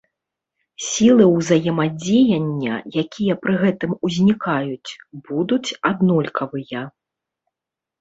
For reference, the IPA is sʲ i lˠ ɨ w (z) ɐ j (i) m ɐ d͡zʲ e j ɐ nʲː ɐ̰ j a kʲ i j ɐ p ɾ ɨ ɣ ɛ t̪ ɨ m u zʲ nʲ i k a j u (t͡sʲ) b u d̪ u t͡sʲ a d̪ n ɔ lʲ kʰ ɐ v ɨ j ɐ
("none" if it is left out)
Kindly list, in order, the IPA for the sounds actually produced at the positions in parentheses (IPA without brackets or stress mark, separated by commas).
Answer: z, ɛ, t͡sʲ